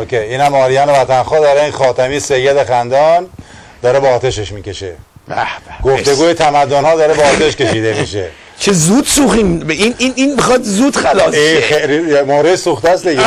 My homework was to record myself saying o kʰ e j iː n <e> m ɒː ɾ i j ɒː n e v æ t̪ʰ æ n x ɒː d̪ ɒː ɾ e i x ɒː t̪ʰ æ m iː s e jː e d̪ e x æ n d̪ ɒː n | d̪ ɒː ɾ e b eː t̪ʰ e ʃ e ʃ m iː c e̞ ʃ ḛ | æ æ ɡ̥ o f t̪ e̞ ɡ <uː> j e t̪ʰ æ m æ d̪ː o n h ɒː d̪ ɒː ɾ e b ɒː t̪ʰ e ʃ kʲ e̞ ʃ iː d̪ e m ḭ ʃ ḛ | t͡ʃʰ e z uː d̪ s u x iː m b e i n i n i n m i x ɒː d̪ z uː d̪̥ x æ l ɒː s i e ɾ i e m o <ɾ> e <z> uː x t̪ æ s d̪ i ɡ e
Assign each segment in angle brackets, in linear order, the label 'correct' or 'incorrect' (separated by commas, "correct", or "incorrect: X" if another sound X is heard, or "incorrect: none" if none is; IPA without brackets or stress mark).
incorrect: æ, correct, correct, incorrect: s